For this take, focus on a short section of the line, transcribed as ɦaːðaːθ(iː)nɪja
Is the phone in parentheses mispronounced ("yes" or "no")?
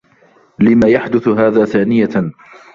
yes